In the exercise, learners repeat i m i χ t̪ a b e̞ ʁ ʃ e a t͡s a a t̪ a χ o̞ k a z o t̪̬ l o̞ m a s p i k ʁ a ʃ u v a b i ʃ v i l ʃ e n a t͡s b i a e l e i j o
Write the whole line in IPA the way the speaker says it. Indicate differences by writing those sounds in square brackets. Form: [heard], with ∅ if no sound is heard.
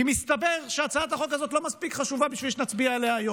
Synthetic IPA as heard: i m i [s] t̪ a b e̞ ʁ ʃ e a t͡s a a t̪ a χ o̞ k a z o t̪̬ l o̞ m a s p i k [χ] a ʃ u v a b i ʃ v i l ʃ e n a t͡s b i a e l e [a] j o